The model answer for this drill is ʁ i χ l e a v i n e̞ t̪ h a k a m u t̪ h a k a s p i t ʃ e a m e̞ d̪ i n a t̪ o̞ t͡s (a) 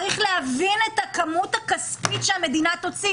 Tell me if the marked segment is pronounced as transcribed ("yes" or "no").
no